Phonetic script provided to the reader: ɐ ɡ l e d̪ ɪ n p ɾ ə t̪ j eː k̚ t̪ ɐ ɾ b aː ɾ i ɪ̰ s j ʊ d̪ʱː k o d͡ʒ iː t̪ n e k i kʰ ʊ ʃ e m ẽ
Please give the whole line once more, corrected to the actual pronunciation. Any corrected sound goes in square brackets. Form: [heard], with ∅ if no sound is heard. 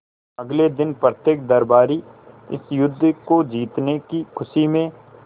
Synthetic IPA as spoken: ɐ ɡ l e d̪ ɪ n p ɾ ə t̪ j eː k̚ [d̪] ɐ ɾ b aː ɾ i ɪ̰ s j ʊ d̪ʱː k o d͡ʒ iː t̪ n e k i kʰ ʊ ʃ [i] m ẽ